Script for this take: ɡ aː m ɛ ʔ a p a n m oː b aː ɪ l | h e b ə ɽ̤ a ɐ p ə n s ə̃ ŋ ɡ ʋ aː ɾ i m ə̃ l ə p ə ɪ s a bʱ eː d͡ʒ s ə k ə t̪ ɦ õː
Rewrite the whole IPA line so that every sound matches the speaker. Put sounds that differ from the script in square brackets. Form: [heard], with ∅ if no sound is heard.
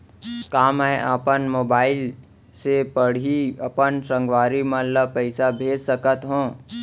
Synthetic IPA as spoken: [k] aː m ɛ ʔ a p [ə] n m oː b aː ɪ l | [s] e [p] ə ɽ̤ [i] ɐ p ə n s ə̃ ŋ ɡ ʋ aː ɾ i m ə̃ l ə p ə ɪ s a bʱ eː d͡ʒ s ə k ə t̪ ɦ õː